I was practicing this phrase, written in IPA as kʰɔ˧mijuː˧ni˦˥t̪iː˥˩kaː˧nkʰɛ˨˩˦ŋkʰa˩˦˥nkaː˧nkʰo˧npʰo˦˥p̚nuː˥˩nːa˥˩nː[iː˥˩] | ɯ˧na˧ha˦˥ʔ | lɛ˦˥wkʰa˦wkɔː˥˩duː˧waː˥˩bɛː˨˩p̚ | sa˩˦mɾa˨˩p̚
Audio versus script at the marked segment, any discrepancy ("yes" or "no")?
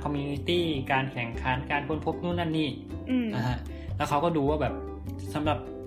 no